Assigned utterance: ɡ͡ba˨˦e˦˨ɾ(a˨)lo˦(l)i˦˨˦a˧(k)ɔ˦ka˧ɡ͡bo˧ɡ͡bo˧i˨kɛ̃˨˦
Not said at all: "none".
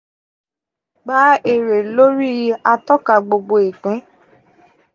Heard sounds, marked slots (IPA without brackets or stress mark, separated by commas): e˨, ɾ, t